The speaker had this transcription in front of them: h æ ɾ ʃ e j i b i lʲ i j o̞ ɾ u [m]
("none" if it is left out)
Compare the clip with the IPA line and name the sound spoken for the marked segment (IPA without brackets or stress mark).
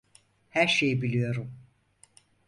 m